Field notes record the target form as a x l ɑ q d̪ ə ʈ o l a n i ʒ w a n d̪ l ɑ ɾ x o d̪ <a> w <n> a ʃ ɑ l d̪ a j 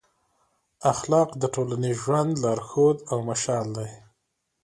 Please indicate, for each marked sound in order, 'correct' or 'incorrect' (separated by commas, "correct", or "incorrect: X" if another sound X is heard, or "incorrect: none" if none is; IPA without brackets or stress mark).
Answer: correct, incorrect: m